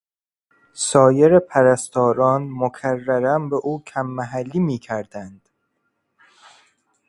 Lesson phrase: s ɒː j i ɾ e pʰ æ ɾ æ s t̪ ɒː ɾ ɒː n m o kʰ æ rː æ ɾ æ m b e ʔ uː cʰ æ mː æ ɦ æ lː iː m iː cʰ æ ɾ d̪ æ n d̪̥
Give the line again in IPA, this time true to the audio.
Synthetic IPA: s ɒː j e ɾ e pʰ æ ɾ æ s t̪ ɒː ɾ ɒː n m o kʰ æ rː æ ɾ æ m b e ʔ uː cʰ æ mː æ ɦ æ lː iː m iː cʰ æ ɾ d̪ æ n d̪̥